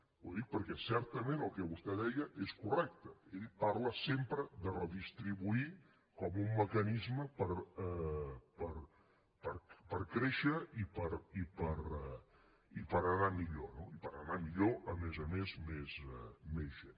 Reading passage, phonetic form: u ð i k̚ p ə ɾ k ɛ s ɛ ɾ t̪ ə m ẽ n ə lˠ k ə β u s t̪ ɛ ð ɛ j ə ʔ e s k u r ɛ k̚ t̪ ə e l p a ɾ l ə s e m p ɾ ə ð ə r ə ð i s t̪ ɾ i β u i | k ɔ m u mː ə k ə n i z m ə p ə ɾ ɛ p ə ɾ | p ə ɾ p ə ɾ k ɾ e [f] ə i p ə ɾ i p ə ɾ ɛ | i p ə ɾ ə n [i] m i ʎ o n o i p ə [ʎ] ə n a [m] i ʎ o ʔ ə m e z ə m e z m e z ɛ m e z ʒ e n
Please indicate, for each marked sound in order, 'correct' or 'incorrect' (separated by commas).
incorrect, incorrect, incorrect, correct